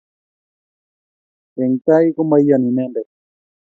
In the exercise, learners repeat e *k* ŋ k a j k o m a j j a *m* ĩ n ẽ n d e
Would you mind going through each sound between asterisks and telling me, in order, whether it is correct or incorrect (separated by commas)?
incorrect, incorrect